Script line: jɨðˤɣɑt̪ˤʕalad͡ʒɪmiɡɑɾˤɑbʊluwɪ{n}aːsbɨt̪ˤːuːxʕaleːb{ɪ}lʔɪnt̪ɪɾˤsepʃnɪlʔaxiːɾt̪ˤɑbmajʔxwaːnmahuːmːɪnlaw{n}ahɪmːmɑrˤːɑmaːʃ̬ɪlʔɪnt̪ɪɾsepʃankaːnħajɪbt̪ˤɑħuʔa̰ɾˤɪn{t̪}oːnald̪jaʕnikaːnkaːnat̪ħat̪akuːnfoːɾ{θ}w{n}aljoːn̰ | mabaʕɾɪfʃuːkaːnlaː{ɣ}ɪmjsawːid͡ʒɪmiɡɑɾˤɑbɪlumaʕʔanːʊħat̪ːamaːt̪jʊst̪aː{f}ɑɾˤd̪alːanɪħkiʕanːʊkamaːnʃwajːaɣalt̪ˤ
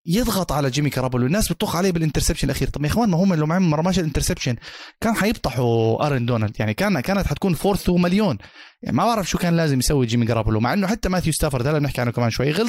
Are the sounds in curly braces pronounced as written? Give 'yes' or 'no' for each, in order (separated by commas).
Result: no, yes, no, no, yes, no, no, yes